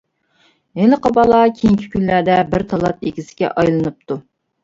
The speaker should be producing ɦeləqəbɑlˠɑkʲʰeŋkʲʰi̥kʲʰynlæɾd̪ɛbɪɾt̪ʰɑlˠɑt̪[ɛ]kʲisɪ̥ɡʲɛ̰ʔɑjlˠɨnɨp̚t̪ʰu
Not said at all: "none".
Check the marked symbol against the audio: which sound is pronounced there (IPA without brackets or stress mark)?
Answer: e